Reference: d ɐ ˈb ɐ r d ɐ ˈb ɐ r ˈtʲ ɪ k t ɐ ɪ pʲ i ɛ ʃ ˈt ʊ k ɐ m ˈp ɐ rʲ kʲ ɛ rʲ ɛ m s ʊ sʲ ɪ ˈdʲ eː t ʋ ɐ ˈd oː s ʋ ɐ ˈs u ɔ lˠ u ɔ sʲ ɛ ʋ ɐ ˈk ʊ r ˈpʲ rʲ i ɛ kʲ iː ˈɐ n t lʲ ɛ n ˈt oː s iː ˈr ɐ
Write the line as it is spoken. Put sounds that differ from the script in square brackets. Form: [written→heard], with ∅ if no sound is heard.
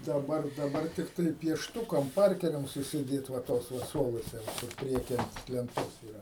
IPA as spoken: d ɐ ˈb ɐ r d ɐ ˈb ɐ r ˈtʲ ɪ k t ɐ ɪ pʲ i ɛ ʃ ˈt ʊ k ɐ m ˈp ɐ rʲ kʲ ɛ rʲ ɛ m s ʊ sʲ ɪ ˈdʲ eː t ʋ ɐ [ˈd→ˈt] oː s ʋ ɐ ˈs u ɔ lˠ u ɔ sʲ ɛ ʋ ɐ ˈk ʊ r ˈpʲ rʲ i ɛ kʲ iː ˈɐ n t lʲ ɛ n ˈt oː s iː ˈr ɐ